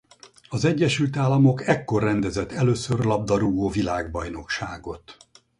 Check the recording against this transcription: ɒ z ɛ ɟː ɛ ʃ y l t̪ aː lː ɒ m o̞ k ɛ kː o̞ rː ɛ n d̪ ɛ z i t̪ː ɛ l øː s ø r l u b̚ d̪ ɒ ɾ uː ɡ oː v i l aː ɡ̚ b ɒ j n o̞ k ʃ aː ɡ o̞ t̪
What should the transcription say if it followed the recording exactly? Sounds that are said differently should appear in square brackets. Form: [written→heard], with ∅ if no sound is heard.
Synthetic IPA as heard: ɒ z ɛ ɟː ɛ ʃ y l t̪ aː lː ɒ m o̞ k ɛ kː o̞ rː ɛ n d̪ ɛ z [i→ɛ] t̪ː ɛ l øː s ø r l [u→ɒ] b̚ d̪ ɒ ɾ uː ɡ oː v i l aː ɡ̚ b ɒ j n o̞ k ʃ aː ɡ o̞ t̪